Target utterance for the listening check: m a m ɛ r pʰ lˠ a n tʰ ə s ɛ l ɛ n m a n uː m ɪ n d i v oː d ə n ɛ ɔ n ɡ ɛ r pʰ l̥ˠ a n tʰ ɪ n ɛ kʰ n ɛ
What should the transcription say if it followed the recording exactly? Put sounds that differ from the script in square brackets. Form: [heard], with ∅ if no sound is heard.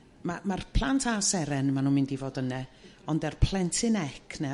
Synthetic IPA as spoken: m a m [a] r pʰ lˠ a n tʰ [a] s ɛ [ɾ] ɛ n m a n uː m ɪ n d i v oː d ə n ɛ ɔ n [d] ɛ r pʰ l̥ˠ [ɛ] n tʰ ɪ n ɛ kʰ n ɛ